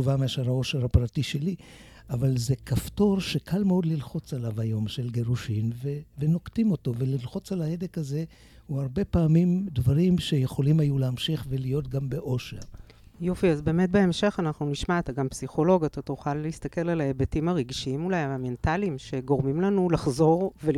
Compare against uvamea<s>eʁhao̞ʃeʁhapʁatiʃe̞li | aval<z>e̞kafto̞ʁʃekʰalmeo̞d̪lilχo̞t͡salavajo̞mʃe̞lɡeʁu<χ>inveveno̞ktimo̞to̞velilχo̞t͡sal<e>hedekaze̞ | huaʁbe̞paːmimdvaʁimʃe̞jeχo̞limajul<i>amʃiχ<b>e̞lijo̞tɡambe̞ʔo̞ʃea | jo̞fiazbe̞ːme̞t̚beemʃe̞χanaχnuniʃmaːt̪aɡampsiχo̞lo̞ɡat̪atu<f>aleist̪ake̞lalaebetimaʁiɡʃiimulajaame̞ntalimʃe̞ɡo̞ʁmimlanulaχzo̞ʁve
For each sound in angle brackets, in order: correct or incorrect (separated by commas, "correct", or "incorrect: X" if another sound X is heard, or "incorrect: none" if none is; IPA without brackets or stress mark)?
incorrect: ʃ, correct, incorrect: ʃ, incorrect: a, incorrect: e, incorrect: v, incorrect: χ